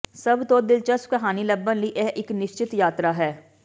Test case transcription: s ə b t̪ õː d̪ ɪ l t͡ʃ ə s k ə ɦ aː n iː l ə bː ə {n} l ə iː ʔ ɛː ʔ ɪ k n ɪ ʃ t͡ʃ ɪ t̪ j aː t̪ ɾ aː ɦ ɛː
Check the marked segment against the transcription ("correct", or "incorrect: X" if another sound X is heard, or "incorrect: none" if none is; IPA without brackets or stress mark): correct